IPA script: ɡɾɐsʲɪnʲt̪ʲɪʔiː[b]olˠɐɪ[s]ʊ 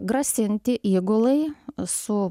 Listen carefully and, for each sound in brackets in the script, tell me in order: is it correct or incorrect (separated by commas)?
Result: incorrect, correct